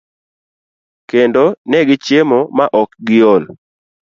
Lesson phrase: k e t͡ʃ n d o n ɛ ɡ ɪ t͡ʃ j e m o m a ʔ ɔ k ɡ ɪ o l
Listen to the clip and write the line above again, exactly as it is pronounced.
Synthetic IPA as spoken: k e n d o n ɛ ɡ ɪ t͡ʃ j e m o m a ʔ ɔ k ɡ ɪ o l